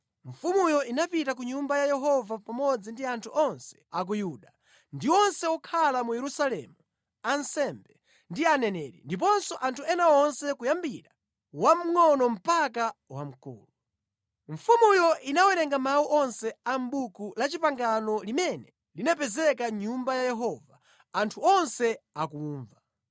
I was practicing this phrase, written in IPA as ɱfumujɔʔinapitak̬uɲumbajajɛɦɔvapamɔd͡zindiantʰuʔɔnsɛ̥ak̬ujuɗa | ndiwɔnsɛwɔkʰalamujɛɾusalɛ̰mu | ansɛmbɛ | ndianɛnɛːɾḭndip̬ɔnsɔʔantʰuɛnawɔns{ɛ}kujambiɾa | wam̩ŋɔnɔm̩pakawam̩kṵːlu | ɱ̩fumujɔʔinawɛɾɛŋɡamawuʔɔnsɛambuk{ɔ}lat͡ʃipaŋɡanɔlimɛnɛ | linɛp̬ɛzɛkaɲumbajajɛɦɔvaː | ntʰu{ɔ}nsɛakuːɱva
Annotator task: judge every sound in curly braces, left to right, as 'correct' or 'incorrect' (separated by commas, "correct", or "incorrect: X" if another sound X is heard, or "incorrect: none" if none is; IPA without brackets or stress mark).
correct, incorrect: u, correct